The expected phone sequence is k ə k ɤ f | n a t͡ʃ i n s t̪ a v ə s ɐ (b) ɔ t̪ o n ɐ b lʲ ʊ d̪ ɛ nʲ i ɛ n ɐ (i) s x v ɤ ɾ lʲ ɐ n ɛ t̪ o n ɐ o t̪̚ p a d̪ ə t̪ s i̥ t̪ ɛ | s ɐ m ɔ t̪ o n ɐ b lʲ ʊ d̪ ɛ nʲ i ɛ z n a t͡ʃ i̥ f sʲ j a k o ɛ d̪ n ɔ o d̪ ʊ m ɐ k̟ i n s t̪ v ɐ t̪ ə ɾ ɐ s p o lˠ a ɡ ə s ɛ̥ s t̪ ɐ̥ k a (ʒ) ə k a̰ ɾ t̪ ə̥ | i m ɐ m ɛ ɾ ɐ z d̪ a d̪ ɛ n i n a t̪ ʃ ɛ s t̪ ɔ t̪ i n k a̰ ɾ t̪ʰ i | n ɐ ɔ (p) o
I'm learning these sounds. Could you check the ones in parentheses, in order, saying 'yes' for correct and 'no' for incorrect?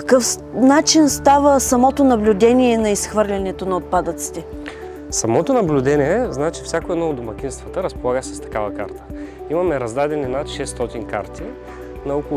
no, yes, no, no

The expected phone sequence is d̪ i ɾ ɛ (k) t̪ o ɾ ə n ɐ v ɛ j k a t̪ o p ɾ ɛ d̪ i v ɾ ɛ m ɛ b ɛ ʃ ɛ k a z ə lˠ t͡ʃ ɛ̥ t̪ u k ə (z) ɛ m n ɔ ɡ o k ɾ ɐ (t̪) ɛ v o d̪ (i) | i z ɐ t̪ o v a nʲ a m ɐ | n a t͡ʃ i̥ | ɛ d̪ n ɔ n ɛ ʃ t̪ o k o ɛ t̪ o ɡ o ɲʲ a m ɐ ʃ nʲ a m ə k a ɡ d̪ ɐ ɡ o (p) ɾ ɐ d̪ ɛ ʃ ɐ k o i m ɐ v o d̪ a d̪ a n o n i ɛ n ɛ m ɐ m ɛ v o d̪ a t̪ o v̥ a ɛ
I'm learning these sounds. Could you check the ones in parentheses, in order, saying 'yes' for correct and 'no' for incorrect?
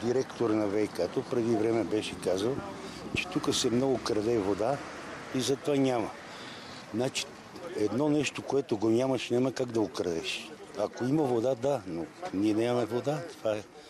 yes, no, no, no, no

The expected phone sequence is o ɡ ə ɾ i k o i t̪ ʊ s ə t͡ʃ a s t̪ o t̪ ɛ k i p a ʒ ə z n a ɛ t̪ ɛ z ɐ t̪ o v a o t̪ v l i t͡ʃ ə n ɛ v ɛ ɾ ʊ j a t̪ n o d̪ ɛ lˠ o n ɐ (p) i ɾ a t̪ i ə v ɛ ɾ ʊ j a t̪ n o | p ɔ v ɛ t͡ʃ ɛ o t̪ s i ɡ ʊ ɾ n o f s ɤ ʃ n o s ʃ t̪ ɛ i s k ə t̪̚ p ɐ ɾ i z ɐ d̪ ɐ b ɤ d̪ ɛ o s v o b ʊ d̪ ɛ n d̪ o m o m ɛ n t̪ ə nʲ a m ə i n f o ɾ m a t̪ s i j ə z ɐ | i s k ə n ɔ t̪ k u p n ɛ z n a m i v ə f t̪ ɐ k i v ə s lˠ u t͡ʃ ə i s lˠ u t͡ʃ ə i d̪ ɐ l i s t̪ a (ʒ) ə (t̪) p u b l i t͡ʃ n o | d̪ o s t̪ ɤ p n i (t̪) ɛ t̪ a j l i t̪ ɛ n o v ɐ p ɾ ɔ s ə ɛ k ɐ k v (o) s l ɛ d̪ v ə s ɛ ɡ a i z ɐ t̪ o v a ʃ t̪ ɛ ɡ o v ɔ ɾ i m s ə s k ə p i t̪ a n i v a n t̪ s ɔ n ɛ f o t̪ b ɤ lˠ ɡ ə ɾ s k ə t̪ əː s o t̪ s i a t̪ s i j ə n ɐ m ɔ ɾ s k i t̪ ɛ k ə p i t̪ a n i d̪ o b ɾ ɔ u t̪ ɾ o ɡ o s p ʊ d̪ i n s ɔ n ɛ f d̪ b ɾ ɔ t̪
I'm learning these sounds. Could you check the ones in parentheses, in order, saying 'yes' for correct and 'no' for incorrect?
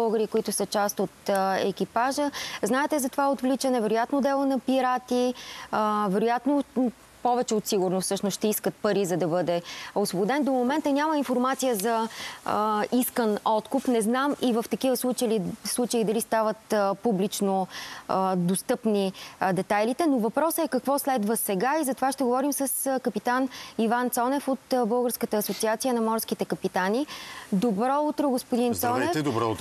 yes, no, yes, no, no

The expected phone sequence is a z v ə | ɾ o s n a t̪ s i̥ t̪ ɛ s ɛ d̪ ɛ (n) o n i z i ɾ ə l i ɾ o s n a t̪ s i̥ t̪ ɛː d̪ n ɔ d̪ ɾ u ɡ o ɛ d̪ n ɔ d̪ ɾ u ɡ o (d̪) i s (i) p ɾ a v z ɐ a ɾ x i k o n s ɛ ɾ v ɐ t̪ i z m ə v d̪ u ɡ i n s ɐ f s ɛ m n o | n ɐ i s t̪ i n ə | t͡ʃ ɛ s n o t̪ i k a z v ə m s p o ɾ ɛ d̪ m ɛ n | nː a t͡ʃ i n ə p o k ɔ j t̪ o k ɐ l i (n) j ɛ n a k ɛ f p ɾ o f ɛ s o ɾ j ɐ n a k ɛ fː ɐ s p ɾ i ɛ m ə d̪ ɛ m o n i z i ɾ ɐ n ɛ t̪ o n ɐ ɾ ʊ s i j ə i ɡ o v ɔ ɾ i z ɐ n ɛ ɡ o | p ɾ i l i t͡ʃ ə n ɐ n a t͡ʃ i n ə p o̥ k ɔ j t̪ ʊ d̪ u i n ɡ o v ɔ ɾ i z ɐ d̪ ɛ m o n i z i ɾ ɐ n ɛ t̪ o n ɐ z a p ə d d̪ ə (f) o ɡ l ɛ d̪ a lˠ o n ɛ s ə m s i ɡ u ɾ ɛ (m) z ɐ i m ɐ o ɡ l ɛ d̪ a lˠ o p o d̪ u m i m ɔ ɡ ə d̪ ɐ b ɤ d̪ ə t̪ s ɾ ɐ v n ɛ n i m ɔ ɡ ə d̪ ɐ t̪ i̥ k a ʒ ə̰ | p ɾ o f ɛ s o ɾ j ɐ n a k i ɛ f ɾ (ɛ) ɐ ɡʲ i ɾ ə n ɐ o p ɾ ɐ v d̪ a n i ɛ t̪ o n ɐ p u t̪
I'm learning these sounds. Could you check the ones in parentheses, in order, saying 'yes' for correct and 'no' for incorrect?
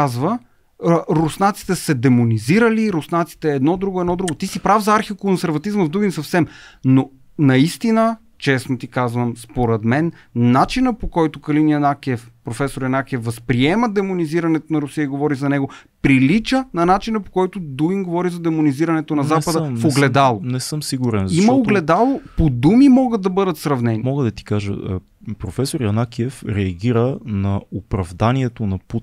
no, no, yes, yes, yes, no, yes

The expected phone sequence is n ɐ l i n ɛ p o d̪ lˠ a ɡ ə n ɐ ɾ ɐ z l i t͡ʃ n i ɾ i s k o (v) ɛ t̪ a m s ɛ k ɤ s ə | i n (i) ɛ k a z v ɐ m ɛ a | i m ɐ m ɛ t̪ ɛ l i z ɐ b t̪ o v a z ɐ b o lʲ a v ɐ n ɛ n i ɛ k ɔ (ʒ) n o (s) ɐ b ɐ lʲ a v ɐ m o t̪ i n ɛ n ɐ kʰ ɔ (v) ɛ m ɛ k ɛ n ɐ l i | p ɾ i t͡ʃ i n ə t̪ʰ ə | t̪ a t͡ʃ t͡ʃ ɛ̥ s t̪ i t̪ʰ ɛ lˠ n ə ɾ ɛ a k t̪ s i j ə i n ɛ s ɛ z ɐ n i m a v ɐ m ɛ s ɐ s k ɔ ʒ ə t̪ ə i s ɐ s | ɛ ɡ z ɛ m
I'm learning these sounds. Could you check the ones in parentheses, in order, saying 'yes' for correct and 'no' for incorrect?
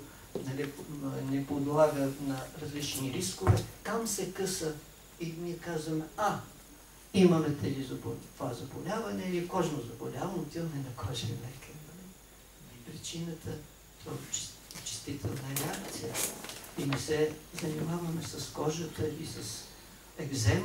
yes, yes, yes, no, no

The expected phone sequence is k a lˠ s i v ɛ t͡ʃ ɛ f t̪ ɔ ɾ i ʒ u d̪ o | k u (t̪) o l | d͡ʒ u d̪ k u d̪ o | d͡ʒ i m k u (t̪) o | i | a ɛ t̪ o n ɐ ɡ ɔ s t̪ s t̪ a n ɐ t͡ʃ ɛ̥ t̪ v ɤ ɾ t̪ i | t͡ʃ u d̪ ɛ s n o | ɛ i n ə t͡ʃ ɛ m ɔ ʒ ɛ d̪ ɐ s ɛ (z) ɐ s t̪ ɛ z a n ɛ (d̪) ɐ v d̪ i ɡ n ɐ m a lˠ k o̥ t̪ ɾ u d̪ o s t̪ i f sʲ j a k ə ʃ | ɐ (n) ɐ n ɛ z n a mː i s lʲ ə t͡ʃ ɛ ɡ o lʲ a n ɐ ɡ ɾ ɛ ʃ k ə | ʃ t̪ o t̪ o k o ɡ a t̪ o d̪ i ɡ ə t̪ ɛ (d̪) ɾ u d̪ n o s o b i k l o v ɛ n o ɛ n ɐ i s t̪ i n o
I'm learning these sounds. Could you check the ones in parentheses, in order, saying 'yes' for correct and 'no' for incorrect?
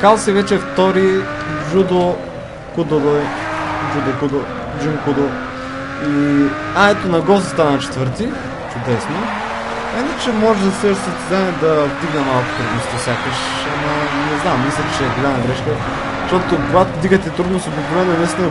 no, no, no, yes, no, no

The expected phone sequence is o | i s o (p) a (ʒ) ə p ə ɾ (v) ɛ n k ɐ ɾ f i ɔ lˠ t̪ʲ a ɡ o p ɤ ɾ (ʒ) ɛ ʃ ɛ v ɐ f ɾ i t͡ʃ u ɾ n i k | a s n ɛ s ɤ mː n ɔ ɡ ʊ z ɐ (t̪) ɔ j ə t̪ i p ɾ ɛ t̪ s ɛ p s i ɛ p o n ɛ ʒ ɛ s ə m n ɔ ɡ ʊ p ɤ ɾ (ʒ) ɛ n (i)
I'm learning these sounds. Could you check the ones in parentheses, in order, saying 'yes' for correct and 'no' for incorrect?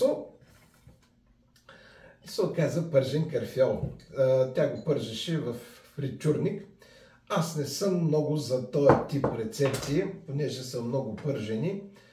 no, no, no, yes, yes, yes, yes

